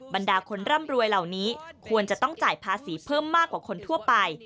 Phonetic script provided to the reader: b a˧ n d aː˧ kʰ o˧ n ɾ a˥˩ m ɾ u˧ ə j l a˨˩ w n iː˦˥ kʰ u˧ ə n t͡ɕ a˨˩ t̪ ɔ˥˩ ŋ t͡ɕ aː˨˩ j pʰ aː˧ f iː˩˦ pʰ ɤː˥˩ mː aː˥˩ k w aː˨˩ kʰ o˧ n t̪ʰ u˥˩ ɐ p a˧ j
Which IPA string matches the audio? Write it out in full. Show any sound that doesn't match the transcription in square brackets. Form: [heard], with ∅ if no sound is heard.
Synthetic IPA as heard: b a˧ n d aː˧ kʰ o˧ n ɾ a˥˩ m ɾ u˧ ə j l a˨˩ w n iː˦˥ kʰ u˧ ə n t͡ɕ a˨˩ t̪ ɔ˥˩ ŋ t͡ɕ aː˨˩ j pʰ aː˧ [s] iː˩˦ pʰ ɤː˥˩ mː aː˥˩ k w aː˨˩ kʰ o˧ n t̪ʰ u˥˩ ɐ p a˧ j

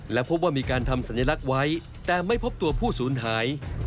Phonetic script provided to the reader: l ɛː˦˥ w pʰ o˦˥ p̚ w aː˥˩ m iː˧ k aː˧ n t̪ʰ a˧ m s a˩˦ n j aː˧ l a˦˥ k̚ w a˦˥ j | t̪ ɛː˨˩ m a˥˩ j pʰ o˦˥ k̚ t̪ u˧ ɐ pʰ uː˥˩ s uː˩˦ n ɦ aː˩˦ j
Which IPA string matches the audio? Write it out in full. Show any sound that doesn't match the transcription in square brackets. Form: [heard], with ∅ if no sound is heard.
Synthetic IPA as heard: l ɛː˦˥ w pʰ o˦˥ p̚ w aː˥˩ m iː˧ k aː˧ n t̪ʰ a˧ m s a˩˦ n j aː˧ l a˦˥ k̚ w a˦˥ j | t̪ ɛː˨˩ m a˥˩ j pʰ o˦˥ [p̚] t̪ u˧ ɐ pʰ uː˥˩ s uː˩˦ n ɦ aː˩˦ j

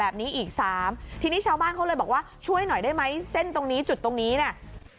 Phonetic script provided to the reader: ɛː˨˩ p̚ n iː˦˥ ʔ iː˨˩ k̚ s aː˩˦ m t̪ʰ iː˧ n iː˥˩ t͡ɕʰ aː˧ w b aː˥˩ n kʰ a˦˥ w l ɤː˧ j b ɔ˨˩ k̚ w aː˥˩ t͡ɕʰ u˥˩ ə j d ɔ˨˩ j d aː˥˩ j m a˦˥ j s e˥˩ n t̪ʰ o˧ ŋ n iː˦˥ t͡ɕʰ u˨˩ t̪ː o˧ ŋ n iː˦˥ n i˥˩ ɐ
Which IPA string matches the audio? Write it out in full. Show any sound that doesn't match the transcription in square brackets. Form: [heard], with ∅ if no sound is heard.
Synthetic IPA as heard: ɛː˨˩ p̚ n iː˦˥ ʔ iː˨˩ k̚ s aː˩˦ m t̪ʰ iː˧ n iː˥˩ t͡ɕʰ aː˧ w b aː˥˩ n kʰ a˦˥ w l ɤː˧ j b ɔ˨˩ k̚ w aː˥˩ t͡ɕʰ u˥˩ ə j [n] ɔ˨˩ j d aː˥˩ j m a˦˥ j s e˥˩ n [t̪] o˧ ŋ n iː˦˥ [t͡ɕ] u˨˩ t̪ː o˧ ŋ n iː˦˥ n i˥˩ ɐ

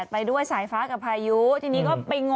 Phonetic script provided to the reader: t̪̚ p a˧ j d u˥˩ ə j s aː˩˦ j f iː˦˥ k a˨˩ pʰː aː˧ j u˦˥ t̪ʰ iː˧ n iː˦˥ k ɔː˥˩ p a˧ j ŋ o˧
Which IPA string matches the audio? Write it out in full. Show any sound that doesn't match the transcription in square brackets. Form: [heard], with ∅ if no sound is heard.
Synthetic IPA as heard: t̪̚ p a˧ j d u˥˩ ə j s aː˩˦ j f [aː˦˥] k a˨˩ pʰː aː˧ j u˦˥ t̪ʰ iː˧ n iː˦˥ k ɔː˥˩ p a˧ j ŋ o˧

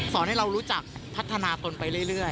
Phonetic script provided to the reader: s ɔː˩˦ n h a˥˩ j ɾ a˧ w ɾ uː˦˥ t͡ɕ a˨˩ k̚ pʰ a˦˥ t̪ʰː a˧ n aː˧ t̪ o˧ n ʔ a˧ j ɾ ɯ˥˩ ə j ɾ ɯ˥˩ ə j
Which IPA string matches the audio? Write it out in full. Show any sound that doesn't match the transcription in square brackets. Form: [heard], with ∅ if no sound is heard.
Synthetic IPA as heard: s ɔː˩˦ n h a˥˩ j ɾ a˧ w ɾ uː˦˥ t͡ɕ a˨˩ k̚ pʰ a˦˥ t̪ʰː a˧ n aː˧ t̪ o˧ n [p] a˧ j ɾ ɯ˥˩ ə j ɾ ɯ˥˩ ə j

